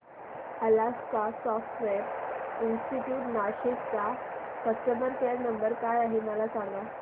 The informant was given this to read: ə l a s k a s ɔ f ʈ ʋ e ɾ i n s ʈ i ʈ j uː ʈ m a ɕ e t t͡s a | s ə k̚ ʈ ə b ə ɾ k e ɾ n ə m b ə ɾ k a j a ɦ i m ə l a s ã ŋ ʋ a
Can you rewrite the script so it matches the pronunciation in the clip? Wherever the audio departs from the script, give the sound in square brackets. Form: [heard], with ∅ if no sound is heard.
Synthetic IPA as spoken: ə l a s k a s ɔ f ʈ ʋ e ɾ i n s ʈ i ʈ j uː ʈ [n] a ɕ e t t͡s a | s ə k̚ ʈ ə b ə ɾ k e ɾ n ə m b ə ɾ k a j a ɦ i m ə l a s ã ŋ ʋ a